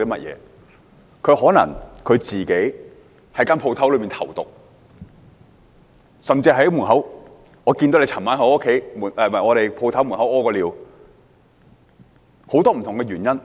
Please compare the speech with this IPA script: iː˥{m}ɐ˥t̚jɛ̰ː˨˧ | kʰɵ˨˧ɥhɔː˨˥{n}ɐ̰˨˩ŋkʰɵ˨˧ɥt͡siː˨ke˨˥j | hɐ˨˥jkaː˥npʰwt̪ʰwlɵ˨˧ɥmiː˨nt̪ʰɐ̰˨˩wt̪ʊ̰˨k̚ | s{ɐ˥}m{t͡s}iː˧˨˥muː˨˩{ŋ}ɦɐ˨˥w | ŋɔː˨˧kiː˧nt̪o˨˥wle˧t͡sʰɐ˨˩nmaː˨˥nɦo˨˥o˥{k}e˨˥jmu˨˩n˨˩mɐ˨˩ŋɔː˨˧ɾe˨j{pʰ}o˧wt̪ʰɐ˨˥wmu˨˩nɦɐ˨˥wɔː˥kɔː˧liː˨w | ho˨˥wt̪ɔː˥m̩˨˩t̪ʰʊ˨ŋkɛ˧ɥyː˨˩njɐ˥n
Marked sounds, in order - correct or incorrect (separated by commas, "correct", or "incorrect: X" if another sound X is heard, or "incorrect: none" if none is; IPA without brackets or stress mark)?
correct, correct, incorrect: ɐ˨, correct, incorrect: n, incorrect: kʰ, correct